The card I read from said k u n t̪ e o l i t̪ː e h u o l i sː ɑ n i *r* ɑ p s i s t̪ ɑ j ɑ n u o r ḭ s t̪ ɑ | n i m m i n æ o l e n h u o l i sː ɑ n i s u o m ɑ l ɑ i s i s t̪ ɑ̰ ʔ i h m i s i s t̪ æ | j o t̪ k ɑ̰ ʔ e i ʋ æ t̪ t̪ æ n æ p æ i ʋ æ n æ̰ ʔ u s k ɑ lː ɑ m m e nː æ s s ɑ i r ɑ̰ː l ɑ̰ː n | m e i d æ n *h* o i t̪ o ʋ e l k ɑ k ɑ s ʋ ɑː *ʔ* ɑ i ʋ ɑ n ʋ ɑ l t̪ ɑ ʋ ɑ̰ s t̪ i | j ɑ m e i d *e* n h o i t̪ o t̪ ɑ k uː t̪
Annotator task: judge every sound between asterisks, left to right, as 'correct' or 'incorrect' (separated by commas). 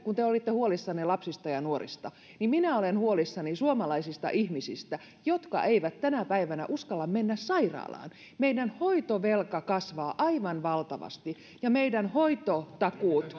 incorrect, correct, correct, incorrect